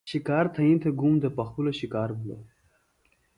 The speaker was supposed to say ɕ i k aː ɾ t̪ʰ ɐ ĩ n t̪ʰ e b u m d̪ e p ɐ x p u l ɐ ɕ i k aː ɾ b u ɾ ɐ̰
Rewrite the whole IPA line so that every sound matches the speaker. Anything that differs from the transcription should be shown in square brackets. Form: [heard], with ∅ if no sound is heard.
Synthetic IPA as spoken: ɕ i k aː ɾ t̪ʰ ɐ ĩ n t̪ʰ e [ɡ] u m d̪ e p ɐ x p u l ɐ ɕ i k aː ɾ b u [l] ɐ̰